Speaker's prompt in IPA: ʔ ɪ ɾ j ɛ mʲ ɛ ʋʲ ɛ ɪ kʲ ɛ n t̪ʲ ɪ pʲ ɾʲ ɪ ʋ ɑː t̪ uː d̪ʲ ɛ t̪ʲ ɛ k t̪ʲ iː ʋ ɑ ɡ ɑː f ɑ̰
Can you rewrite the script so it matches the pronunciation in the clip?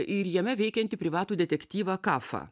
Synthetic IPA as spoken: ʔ ɪ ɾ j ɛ mʲ ɛ ʋʲ ɛ ɪ kʲ ɛ n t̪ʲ ɪ pʲ ɾʲ ɪ ʋ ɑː t̪ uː d̪ʲ ɛ t̪ʲ ɛ k t̪ʲ iː ʋ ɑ k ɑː f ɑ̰

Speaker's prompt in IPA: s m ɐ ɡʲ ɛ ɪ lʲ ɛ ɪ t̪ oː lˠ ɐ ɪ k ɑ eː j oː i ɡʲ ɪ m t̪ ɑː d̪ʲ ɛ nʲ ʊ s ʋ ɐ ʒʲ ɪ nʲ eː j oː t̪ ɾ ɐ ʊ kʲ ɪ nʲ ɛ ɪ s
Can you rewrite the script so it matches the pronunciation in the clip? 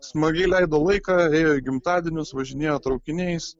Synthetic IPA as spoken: s m ɐ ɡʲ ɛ ɪ lʲ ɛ ɪ d̪ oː lˠ ɐ ɪ k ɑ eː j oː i ɡʲ ɪ m t̪ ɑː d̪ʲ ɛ nʲ ʊ s ʋ ɐ ʒʲ ɪ nʲ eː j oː t̪ ɾ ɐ ʊ kʲ ɪ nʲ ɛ ɪ s

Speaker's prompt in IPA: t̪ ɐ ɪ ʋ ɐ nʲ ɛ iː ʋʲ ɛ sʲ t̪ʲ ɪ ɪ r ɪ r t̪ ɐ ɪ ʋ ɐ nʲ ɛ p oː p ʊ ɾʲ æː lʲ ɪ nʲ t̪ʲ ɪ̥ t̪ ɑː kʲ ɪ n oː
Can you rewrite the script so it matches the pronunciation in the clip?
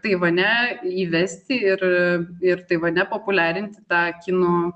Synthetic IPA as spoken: t̪ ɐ ɪ ʋ ɐ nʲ ɛ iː ʋʲ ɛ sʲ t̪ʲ ɪ ɪ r ɪ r t̪ ɐ ɪ ʋ ɐ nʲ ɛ p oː p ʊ lʲ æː ɾʲ ɪ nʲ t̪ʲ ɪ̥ t̪ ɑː kʲ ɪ n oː

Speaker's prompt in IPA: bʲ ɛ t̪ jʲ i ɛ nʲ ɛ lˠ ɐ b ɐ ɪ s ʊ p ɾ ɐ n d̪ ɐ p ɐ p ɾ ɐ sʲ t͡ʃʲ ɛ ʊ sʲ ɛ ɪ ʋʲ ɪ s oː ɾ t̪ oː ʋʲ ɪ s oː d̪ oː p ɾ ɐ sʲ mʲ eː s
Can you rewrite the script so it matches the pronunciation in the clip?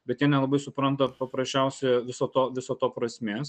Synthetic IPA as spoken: bʲ ɛ t̪ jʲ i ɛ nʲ ɛ lˠ ɐ b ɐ ɪ s ʊ p ɾ ɐ n t̪ ɐ p ɐ p ɾ ɐ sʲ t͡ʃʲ ɛ ʊ sʲ ɛ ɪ ʋʲ ɪ s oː t̪ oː ʋʲ ɪ s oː t̪ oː p ɾ ɐ sʲ mʲ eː s

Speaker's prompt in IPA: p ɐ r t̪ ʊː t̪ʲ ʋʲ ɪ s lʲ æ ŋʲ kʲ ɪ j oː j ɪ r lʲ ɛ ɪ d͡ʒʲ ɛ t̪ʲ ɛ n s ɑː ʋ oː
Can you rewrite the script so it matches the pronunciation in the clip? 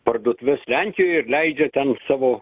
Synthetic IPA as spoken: p ɐ r d̪ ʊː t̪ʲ ʋʲ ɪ s lʲ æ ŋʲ kʲ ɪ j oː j ɪ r lʲ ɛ ɪ d͡ʒʲ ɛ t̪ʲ ɛ n s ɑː ʋ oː

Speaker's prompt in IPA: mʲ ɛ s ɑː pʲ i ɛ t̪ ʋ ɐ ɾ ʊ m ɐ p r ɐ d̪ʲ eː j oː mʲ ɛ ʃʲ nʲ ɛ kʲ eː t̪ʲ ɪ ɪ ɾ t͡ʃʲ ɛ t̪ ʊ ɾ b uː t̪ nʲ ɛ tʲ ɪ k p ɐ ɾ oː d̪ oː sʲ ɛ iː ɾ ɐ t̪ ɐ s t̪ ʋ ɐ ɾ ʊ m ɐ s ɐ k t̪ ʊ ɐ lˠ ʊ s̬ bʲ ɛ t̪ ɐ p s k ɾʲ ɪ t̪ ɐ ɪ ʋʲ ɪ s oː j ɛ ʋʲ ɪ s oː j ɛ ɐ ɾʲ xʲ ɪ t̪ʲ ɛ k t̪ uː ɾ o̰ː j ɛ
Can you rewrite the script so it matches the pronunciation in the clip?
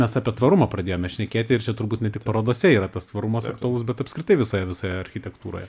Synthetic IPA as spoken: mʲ ɛ s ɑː pʲ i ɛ t̪ ʋ ɐ ɾ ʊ m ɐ p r ɐ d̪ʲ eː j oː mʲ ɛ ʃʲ nʲ ɛ kʲ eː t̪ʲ ɪ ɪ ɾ t͡ʃʲ ɛ t̪ ʊ ɾ b uː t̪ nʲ ɛ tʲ ɪ k p ɐ ɾ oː d̪ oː sʲ ɛ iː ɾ ɐ t̪ ɐ s t̪ ʋ ɐ ɾ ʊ m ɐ s ɐ k t̪ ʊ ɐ lˠ ʊ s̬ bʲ ɛ t̪ ɐ p s k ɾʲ ɪ t̪ ɐ ɪ ʋʲ ɪ s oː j ɛ ʋʲ ɪ s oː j ɛ ɐ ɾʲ xʲ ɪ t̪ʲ ɛ k t̪ uː ɾ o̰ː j ɛ

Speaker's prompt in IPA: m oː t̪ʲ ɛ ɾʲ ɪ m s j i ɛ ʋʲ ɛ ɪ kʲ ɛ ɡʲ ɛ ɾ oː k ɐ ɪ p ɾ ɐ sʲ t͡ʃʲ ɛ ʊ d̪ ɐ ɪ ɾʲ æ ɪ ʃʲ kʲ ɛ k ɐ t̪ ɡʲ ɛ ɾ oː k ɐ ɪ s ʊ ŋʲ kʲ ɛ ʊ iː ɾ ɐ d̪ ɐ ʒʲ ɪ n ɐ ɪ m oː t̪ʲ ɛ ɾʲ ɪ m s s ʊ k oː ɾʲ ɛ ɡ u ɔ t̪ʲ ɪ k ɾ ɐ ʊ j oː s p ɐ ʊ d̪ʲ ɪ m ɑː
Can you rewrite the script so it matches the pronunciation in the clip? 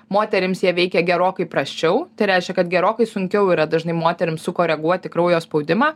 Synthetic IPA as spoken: m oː t̪ʲ ɛ ɾʲ ɪ m s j i ɛ ʋʲ ɛ ɪ kʲ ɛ ɡʲ ɛ ɾ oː k ɐ ɪ p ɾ ɐ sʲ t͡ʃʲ ɛ ʊ t̪ ɐ ɪ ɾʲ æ ɪ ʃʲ kʲ ɛ k ɐ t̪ ɡʲ ɛ ɾ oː k ɐ ɪ s ʊ ŋʲ kʲ ɛ ʊ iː ɾ ɐ d̪ ɐ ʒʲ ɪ n ɐ ɪ m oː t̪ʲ ɛ ɾʲ ɪ m s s ʊ k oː ɾʲ ɛ ɡ u ɔ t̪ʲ ɪ k ɾ ɐ ʊ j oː s p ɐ ʊ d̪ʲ ɪ m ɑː

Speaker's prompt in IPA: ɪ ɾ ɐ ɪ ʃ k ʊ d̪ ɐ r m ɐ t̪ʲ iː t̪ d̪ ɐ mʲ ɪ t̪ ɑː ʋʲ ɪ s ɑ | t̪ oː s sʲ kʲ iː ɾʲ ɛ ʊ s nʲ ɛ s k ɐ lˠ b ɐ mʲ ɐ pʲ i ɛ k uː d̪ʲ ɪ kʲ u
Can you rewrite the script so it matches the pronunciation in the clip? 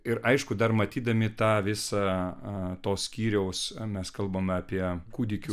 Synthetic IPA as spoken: ɪ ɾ ɐ ɪ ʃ k ʊ d̪ ɐ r m ɐ t̪ʲ iː d̪ ɐ mʲ ɪ t̪ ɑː ʋʲ ɪ s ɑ | t̪ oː s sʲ kʲ iː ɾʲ ɛ ʊ s mʲ ɛ s k ɐ lˠ b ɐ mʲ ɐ pʲ i ɛ k uː d̪ʲ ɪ kʲ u

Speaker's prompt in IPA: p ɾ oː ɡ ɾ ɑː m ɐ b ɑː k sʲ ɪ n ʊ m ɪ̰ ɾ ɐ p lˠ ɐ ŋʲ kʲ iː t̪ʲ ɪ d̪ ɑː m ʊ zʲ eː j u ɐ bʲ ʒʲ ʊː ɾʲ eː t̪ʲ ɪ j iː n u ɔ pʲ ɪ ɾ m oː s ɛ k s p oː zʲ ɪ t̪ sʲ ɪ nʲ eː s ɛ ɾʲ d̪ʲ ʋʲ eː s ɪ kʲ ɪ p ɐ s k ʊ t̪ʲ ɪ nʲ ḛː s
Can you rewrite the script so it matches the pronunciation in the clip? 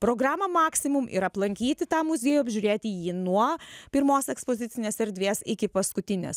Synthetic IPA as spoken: p ɾ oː ɡ ɾ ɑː m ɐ m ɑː k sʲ ɪ m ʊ m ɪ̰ ɾ ɐ p lˠ ɐ ŋʲ kʲ iː t̪ʲ ɪ t̪ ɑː m ʊ zʲ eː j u ɐ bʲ ʒʲ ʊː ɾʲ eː t̪ʲ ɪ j iː n u ɔ pʲ ɪ ɾ m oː s ɛ k s p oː zʲ ɪ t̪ sʲ ɪ nʲ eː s ɛ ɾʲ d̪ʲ ʋʲ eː s ɪ kʲ ɪ p ɐ s k ʊ t̪ʲ ɪ nʲ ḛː s

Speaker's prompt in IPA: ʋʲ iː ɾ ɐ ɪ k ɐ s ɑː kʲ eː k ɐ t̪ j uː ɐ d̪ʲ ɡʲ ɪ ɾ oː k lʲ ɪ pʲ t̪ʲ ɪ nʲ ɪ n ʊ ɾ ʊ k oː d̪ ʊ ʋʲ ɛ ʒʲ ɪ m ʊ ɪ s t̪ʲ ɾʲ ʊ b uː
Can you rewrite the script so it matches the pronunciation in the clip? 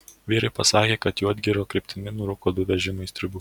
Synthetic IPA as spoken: ʋʲ iː ɾ ɐ ɪ p ɐ s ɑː kʲ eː k ɐ t̪ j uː ɐ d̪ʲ ɡʲ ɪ ɾ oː k ɾʲ ɪ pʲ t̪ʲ ɪ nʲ ɪ n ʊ ɾ ʊ k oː d̪ ʊ ʋʲ ɛ ʒʲ ɪ m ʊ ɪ s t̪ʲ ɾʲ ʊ b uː

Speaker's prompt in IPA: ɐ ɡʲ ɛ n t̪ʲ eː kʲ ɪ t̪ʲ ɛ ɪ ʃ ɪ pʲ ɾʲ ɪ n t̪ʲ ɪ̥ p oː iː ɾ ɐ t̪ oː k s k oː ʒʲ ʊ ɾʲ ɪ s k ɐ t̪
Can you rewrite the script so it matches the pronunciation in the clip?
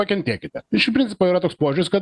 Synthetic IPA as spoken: ɐ kʲ ɛ n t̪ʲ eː kʲ ɪ t̪ʲ ɛ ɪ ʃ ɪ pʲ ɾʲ ɪ n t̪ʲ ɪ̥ p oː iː ɾ ɐ t̪ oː k s p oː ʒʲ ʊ ɾʲ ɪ s k ɐ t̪

